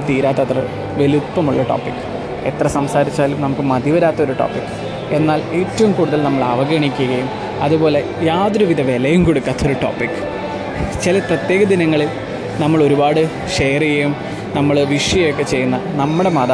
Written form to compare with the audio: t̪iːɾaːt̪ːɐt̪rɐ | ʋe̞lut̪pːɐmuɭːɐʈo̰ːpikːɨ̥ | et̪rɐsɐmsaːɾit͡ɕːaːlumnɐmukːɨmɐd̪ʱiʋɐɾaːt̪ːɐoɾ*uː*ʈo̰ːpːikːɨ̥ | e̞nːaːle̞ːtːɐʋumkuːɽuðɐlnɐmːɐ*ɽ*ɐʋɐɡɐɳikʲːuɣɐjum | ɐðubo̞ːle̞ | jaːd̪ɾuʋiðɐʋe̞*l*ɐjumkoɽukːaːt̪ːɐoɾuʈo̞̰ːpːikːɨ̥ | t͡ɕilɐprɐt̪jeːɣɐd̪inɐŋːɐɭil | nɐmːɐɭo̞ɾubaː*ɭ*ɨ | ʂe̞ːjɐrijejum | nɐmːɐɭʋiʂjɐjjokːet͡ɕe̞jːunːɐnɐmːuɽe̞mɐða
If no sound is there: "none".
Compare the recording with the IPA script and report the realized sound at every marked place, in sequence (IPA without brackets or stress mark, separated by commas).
u, ɭ, l, ɽ